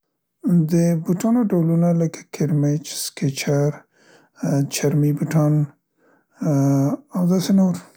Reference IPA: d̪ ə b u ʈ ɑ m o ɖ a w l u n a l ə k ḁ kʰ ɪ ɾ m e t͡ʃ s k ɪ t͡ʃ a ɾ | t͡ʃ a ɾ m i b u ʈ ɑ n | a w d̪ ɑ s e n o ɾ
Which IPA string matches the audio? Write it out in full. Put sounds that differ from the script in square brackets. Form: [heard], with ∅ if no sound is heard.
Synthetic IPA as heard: d̪ ə b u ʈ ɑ [n] o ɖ a w l u n a l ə k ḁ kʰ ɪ ɾ m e t͡ʃ s k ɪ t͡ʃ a ɾ | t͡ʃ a ɾ m i b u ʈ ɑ n | a w d̪ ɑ s e n o ɾ